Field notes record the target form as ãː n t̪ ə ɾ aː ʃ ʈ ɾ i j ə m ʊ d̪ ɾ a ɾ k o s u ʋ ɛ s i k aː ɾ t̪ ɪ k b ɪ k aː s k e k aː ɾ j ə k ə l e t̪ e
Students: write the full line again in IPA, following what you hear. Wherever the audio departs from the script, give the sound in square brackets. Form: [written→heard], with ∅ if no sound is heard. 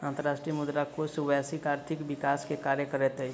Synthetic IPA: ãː n t̪ ə ɾ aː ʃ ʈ ɾ i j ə m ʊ d̪ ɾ a [ɾ→∅] k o s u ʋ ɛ s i k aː ɾ [t̪→t̪ʰ] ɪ k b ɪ k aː s k e k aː ɾ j ə k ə [l→ɾ] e t̪ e